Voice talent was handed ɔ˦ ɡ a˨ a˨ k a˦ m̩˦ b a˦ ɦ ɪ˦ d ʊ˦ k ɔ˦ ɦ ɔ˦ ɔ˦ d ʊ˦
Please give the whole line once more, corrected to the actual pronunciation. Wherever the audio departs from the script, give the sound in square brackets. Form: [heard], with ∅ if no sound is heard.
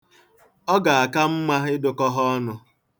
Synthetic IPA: ɔ˦ ɡ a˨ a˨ k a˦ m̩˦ [m] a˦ ɦ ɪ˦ d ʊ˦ k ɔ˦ ɦ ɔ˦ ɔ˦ [n] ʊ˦

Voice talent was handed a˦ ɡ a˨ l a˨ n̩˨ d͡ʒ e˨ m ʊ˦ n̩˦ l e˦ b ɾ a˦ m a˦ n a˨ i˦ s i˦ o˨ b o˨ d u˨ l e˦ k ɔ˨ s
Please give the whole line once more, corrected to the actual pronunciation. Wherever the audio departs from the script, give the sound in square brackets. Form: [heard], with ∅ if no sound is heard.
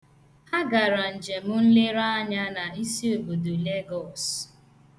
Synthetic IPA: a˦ ɡ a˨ [ɾ] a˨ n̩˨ d͡ʒ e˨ m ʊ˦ n̩˦ l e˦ [∅] ɾ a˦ [ɲ] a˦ n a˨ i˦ s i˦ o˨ b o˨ d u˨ l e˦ [ɡ] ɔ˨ s

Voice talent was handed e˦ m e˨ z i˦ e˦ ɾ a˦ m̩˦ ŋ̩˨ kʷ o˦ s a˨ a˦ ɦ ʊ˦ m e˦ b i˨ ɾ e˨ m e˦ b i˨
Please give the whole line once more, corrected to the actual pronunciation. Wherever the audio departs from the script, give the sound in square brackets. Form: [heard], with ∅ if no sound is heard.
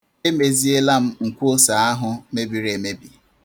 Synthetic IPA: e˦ m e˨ z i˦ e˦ [l] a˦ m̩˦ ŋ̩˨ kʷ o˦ s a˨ a˦ ɦ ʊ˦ m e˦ b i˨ ɾ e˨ m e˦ b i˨

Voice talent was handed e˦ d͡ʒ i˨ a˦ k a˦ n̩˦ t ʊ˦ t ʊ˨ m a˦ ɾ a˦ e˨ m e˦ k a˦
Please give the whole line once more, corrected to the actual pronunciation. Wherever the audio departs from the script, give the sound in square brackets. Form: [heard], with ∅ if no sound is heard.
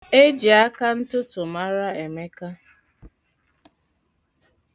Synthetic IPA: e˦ d͡ʒ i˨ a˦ k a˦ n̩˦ t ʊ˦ t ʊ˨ m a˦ ɾ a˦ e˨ m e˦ k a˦

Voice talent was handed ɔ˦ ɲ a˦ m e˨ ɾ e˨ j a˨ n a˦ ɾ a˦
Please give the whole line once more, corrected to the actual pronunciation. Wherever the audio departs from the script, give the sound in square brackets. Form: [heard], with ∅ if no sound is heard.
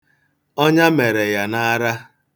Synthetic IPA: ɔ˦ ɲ a˦ m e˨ ɾ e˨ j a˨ n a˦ ɾ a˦

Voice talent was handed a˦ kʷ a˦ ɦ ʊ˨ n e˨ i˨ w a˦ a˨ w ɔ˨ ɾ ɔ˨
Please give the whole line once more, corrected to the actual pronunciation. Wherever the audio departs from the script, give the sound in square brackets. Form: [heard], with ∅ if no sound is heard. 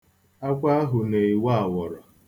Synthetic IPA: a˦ kʷ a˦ ɦ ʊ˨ n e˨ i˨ w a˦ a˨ w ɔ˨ ɾ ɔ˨

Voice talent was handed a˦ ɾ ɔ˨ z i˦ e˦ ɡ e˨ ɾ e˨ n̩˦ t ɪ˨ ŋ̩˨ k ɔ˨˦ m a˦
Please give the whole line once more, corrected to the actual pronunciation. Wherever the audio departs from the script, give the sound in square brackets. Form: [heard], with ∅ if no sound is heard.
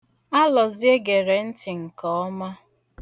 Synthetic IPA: a˦ [l] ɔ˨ z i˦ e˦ ɡ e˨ ɾ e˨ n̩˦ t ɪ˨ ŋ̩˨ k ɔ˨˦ m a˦

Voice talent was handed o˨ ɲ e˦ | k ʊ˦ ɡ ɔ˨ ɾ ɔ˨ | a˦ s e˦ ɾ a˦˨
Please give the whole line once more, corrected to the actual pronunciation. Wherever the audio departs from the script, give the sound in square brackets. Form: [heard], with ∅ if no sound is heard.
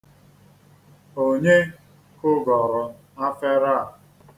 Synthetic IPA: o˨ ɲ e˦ | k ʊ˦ ɡ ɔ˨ ɾ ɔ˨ | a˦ [f] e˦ ɾ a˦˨

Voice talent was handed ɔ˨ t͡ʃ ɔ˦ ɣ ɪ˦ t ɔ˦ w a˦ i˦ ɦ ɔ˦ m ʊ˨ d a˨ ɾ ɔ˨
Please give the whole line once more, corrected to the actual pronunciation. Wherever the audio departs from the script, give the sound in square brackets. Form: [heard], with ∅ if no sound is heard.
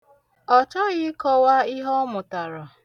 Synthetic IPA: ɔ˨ t͡ʃ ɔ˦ ɣ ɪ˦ [k] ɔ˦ w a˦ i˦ ɦ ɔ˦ m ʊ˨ [t] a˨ ɾ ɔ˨

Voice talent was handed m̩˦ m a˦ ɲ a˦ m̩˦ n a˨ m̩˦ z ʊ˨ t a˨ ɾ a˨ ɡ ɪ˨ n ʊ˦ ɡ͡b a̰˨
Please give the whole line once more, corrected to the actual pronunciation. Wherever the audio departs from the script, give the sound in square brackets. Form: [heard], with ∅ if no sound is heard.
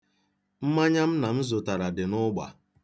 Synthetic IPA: m̩˦ m a˦ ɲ a˦ m̩˦ n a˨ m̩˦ z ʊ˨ t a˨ ɾ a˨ [d] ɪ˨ n ʊ˦ ɡ͡b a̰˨

